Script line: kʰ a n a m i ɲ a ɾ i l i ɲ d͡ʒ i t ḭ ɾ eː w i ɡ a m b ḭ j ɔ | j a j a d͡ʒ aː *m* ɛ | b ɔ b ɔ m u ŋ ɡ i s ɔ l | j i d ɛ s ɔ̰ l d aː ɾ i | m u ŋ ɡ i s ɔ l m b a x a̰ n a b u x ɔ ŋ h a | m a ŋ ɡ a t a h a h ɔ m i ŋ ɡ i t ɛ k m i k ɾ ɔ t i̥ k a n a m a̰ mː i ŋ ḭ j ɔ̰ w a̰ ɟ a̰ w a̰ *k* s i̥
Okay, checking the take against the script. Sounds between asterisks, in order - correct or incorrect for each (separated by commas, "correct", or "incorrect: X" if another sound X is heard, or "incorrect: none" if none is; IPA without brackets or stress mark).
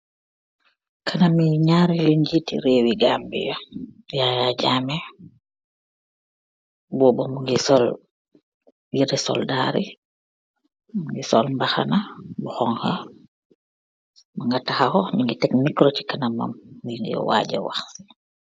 correct, incorrect: x